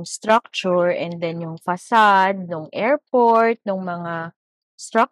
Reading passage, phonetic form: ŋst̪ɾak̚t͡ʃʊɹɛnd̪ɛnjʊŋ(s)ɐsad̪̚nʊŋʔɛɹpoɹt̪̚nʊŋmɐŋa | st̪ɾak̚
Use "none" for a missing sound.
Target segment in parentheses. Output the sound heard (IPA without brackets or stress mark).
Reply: f